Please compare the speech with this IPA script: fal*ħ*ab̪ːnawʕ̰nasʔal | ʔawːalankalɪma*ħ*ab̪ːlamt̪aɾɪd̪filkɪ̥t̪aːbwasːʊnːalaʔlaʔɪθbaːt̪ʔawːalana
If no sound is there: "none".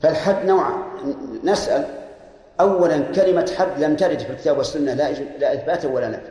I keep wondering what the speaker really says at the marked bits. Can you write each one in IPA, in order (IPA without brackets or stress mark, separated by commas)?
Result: ħ, ħ